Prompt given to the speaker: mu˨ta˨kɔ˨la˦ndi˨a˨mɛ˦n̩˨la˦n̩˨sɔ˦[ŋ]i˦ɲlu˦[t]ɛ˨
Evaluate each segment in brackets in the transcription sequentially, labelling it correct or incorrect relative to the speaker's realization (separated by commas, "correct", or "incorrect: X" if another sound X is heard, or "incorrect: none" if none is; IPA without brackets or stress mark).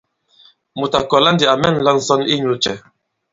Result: incorrect: n, incorrect: t͡ʃ